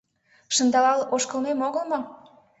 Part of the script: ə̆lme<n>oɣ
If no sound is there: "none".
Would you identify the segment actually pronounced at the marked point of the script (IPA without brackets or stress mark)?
m